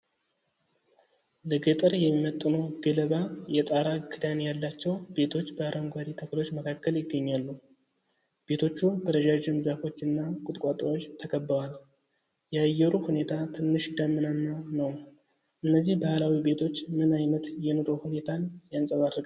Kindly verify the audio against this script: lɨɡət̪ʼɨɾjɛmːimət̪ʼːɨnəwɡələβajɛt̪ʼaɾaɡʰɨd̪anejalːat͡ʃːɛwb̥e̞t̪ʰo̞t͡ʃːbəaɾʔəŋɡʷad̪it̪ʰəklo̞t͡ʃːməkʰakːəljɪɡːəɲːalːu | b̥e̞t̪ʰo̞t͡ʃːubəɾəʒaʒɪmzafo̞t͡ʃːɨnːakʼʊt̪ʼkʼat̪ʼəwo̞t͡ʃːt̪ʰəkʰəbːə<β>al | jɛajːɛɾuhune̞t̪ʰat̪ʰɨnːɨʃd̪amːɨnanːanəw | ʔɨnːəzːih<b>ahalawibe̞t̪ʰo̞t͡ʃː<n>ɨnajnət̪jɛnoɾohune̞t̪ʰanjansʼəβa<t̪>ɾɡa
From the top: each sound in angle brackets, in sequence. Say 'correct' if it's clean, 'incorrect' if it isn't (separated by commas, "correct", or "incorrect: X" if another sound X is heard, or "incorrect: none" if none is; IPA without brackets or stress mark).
incorrect: w, correct, incorrect: m, incorrect: d̪